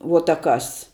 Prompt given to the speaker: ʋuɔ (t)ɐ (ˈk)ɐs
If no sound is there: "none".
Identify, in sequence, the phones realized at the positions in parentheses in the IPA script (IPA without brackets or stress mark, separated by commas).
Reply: t, k